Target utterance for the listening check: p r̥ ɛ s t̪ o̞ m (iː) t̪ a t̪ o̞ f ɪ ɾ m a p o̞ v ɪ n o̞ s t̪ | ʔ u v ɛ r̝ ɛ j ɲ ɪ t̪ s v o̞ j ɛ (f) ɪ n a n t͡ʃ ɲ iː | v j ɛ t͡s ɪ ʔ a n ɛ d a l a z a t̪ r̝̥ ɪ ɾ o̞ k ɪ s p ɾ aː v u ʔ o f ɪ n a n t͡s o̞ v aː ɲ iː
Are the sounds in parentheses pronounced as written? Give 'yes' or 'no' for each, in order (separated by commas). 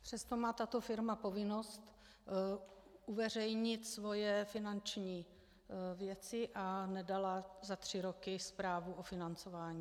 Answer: no, yes